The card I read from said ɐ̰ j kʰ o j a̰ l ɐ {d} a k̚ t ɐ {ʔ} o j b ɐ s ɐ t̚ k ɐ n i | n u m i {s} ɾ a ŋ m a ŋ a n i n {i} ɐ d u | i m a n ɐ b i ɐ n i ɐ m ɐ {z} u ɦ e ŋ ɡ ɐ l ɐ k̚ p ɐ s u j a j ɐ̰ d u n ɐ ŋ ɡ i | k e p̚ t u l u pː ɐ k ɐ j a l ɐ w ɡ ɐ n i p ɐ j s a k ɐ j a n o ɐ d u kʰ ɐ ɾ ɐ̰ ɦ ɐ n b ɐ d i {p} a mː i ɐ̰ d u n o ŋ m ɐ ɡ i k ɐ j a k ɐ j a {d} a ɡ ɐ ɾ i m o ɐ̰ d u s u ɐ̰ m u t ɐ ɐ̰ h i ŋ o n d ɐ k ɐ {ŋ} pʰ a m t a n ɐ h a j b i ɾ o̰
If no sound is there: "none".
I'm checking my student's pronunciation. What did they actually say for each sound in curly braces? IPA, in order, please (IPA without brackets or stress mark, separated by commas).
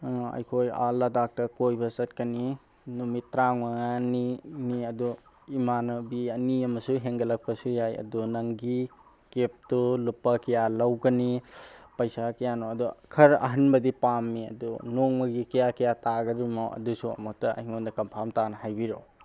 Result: d, k, t, i, s, p, t, m